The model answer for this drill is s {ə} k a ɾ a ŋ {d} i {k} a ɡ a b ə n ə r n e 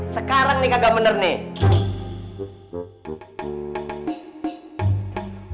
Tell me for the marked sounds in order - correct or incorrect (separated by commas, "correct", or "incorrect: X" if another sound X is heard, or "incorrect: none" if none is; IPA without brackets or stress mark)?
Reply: correct, incorrect: n, correct